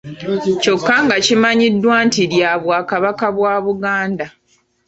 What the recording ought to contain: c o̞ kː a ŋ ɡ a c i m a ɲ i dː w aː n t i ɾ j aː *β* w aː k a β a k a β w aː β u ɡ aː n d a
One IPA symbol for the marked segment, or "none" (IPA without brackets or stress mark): β